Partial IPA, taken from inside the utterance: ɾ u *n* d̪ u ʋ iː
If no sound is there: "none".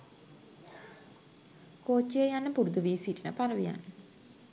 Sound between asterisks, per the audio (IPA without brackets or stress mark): none